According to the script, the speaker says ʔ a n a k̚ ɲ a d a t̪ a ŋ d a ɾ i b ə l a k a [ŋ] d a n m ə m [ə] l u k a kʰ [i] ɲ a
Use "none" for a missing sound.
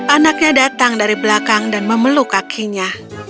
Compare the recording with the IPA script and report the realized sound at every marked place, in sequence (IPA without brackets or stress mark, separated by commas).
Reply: ŋ, ə, i